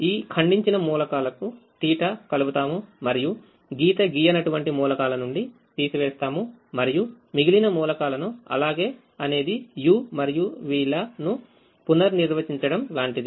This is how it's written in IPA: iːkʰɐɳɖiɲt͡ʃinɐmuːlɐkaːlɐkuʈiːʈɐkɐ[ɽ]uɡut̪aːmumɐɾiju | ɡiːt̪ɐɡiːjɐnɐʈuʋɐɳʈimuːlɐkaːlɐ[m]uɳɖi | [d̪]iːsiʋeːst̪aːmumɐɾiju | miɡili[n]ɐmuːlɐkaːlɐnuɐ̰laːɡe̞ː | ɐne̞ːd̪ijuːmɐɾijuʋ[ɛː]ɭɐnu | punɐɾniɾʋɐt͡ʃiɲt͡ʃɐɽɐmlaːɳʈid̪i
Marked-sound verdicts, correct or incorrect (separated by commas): incorrect, incorrect, incorrect, correct, incorrect